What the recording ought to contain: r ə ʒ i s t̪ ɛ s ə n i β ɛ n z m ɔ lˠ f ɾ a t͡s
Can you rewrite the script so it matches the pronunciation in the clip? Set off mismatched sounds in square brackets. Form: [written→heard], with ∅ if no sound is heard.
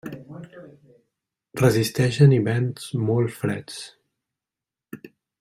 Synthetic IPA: r ə [ʒ→z] i s t̪ ɛ [s→ʃ] ə n i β ɛ n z m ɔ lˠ f ɾ [a→ɛ] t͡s

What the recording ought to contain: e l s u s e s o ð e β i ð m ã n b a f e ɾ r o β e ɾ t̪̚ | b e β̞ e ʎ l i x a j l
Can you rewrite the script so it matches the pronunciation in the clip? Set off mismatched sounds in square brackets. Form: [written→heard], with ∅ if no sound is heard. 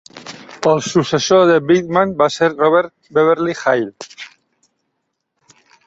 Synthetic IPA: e l s u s e s o ð e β i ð m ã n b a [f→s] e ɾ r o β e ɾ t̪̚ | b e β̞ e [ʎ→ɾ] l i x a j l

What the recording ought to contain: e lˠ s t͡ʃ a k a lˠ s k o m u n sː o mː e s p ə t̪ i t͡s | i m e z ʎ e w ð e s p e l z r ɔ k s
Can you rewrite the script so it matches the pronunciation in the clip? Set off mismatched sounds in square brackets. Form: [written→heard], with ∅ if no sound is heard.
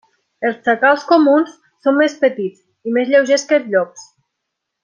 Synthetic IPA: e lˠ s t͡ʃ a k a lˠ s k o m u n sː o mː e s p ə t̪ i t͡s | i m e z ʎ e w [ð→ʒ] e s [p→k] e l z [r→ʎ] ɔ k s

